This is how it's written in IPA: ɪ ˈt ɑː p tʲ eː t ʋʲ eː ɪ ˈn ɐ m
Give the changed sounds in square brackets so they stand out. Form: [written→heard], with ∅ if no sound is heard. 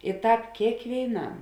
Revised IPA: ɪ ˈt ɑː p [tʲ→kʲ] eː [t→k] ʋʲ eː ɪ ˈn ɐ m